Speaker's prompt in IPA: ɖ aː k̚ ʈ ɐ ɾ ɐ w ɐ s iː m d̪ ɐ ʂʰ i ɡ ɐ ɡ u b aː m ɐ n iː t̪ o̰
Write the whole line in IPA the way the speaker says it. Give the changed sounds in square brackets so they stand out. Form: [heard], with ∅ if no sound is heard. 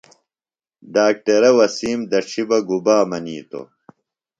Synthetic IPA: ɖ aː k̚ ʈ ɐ ɾ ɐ w ɐ s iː m d̪ ɐ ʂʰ i [b] ɐ ɡ u b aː m ɐ n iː t̪ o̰

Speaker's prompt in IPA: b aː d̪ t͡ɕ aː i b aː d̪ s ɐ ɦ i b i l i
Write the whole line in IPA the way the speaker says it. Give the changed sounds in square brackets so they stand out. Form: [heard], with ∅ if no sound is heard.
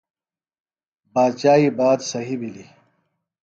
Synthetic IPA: b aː d̪ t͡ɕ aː i b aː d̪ s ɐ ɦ i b i l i

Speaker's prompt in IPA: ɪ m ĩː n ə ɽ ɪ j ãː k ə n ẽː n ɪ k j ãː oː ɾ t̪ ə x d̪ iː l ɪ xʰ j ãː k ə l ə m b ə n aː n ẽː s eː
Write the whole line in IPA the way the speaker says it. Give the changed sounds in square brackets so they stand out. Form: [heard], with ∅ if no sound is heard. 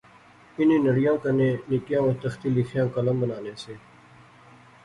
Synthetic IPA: ɪ [n] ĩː n ə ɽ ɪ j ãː k ə n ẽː n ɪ k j ãː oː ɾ t̪ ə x [t̪] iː l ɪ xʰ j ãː k ə l ə m b ə n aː n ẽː s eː

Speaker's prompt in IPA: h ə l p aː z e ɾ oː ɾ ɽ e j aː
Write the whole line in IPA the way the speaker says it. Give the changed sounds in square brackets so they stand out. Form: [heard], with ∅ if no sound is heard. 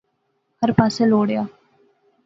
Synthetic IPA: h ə [ɾ] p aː [s] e [l] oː [∅] ɽ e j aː

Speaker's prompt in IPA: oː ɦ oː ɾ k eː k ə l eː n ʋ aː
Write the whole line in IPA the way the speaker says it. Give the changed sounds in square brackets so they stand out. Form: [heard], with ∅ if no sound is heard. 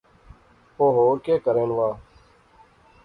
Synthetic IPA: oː ɦ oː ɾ k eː k ə [ɾ] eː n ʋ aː

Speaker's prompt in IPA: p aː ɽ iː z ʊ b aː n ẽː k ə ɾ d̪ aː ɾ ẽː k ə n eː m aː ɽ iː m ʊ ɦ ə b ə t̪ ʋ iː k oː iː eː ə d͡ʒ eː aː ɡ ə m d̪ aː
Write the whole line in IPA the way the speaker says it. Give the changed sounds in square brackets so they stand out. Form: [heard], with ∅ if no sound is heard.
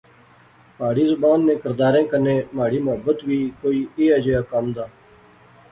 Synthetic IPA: p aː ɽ iː z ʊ b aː [nː] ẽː k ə ɾ d̪ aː ɾ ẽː k ə n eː m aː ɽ iː m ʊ ɦ ə b ə t̪ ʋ iː k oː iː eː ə d͡ʒ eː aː [k] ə m d̪ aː

